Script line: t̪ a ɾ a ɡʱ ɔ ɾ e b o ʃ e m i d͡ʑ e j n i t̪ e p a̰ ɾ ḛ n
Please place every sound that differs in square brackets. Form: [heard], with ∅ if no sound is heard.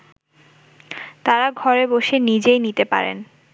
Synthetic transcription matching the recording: t̪ a ɾ a ɡʱ ɔ ɾ e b o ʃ e [n] i d͡ʑ e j n i t̪ e p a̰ ɾ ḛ n